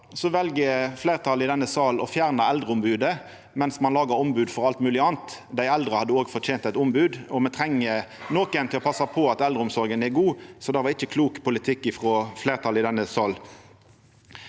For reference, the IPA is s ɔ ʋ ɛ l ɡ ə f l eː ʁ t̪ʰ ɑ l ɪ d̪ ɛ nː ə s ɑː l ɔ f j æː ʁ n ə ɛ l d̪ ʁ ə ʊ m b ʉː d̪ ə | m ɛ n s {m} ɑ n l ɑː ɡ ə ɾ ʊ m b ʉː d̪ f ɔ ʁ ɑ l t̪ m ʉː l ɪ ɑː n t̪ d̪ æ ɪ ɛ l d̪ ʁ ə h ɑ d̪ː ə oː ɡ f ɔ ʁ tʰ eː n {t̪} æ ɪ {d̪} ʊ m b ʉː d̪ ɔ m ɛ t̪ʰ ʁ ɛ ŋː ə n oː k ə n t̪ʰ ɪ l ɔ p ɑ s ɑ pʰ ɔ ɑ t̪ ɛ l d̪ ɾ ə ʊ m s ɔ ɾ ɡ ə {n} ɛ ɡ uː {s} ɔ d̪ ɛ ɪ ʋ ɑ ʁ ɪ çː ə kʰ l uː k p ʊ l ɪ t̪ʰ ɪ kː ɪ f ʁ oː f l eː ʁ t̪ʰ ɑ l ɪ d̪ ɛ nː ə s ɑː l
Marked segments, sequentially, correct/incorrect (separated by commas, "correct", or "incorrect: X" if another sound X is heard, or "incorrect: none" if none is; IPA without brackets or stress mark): correct, correct, incorrect: t̪, correct, correct